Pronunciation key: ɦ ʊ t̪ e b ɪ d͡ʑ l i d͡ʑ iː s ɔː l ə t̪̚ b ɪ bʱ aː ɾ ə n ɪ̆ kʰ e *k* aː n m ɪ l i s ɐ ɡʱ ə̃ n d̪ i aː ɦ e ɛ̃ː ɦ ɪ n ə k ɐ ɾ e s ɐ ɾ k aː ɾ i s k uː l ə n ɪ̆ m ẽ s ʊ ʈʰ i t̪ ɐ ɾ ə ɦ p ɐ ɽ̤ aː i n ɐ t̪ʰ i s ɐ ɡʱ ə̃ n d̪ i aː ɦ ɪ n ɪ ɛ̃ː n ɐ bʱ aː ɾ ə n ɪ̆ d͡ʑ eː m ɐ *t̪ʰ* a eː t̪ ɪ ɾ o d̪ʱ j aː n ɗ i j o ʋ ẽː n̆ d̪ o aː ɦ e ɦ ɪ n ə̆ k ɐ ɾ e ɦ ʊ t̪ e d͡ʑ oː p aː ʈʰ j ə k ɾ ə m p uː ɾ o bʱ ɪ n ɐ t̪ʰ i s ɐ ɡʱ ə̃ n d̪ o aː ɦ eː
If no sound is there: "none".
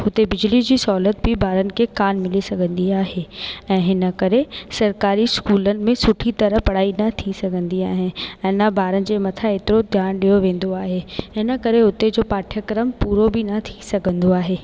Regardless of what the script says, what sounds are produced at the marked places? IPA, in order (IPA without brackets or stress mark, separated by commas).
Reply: k, t̪ʰ